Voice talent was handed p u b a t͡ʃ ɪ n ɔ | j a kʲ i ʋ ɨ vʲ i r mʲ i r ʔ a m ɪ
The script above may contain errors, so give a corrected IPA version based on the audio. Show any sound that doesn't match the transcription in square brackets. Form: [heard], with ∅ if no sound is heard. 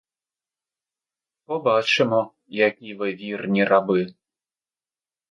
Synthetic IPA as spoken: p [ɔ] b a t͡ʃ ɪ [m] ɔ | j a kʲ i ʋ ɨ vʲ i r [nʲ] i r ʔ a [b] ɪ